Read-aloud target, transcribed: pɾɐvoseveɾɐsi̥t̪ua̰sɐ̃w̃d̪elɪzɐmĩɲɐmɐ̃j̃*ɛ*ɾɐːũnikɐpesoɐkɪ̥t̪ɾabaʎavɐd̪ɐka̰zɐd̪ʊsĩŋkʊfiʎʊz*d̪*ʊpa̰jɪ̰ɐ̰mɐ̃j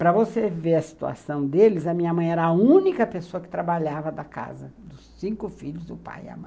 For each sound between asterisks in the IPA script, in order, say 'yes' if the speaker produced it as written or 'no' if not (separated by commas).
yes, yes